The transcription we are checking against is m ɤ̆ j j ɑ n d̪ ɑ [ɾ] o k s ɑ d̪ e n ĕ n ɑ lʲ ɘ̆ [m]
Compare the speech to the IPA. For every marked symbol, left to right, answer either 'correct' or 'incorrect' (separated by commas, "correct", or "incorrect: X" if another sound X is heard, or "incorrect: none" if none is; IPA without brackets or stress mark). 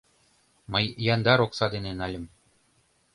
correct, correct